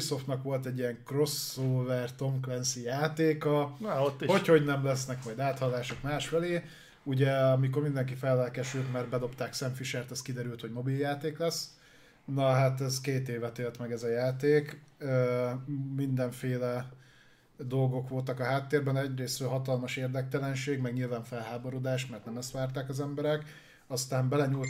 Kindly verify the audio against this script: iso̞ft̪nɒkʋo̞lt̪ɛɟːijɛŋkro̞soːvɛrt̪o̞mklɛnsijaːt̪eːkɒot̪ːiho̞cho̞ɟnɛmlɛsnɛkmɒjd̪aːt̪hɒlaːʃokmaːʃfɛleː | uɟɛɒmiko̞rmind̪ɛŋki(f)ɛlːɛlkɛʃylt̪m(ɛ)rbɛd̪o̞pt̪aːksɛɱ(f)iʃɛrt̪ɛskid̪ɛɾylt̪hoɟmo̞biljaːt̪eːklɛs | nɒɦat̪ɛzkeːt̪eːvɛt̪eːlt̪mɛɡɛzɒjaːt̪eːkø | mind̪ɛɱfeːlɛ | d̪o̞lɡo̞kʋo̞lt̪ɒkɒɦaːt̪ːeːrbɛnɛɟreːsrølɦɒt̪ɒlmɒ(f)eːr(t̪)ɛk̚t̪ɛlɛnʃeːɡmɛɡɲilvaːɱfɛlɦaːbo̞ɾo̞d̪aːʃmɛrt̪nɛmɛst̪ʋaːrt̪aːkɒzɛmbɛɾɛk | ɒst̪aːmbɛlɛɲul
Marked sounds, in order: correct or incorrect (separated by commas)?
correct, correct, correct, incorrect, incorrect